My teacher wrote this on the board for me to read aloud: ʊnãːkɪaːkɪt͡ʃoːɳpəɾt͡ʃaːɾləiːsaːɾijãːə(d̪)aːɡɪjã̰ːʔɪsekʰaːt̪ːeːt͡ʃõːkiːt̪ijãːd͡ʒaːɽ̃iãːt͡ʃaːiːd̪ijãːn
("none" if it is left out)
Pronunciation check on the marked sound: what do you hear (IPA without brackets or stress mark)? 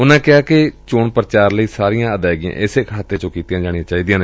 d̪